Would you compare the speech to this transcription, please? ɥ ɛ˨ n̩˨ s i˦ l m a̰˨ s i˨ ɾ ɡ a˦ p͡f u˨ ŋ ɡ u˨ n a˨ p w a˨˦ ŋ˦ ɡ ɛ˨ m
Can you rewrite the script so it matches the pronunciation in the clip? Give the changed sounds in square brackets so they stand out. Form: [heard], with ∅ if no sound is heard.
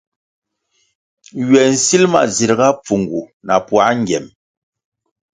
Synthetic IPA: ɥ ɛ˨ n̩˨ s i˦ l m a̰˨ [z] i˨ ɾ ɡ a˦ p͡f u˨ ŋ ɡ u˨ n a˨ p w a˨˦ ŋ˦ ɡ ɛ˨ m